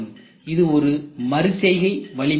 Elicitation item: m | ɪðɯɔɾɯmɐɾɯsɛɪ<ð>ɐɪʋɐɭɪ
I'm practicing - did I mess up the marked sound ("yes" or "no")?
yes